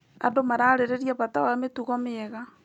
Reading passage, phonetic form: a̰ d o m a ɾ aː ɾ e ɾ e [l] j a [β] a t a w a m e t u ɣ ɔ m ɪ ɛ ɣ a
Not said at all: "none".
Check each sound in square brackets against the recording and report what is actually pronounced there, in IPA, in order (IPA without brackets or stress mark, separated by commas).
ɾ, β